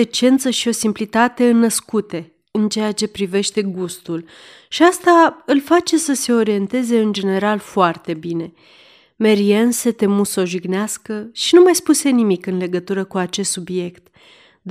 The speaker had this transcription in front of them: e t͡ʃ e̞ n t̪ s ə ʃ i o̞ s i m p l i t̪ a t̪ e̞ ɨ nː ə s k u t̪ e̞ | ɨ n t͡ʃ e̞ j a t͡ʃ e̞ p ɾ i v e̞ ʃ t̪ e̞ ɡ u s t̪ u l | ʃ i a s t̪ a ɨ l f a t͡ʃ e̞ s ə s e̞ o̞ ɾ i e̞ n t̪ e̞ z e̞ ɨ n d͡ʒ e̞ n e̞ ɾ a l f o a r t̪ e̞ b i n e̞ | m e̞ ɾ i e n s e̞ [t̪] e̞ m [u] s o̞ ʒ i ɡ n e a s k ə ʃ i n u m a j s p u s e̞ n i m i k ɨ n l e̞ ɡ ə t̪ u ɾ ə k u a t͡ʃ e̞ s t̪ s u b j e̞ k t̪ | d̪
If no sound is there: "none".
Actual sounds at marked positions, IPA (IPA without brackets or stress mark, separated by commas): t̪, u